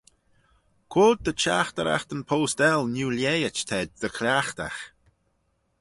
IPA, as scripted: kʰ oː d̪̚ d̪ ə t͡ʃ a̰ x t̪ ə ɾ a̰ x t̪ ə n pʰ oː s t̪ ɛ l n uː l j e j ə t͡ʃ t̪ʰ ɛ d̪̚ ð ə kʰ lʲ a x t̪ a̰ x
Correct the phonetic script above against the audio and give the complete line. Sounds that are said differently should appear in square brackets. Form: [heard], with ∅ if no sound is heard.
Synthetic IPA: kʰ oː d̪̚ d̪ ə t͡ʃ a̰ x t̪ ə ɾ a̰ x t̪ ə n pʰ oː s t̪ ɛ l n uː l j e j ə t͡ʃ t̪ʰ ɛ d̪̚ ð ə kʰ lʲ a x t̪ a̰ x